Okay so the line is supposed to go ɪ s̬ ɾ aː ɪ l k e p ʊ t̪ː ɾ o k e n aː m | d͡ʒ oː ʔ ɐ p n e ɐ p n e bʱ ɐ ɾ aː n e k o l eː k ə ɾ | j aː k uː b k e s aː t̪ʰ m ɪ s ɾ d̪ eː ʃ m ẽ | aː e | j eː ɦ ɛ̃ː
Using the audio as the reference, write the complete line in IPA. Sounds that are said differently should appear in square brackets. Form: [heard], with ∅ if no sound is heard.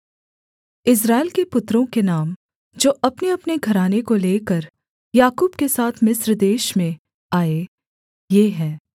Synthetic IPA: ɪ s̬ ɾ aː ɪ l k e p ʊ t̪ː ɾ [õ] k e n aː m | d͡ʒ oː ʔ ɐ p n e ɐ p n e [ɡʱ] ɐ ɾ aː n e k o l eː k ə ɾ | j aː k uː b k e s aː t̪ʰ m ɪ s ɾ d̪ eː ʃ m ẽ | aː e | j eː ɦ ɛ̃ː